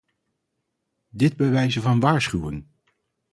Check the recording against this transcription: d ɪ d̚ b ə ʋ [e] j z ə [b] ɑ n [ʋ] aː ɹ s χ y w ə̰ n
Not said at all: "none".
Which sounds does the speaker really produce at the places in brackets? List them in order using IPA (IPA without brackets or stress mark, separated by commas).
ɛ, v, ʋ